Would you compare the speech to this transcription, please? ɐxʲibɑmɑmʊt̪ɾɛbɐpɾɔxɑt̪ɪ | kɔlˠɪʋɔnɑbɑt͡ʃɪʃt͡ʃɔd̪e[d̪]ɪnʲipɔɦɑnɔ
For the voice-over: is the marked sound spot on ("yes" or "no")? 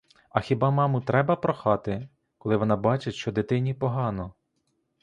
no